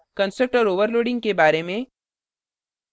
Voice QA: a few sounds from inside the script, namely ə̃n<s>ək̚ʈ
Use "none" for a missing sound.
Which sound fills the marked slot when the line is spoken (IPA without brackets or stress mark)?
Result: s